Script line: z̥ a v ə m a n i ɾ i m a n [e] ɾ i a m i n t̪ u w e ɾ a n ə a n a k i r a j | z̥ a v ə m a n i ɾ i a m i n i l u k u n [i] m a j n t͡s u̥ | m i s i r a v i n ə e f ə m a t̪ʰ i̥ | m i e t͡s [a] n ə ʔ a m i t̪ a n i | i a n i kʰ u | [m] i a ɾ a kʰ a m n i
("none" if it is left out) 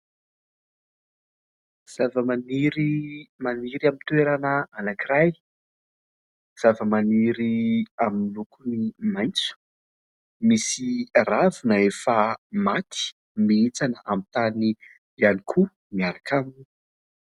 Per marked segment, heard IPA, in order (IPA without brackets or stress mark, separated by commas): i, i, a, m